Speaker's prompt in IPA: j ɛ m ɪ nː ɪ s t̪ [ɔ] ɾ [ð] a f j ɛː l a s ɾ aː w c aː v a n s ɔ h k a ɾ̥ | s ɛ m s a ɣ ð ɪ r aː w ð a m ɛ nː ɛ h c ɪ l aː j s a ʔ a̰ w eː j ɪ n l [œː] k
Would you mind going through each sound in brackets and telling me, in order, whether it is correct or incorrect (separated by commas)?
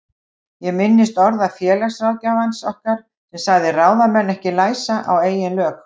correct, correct, correct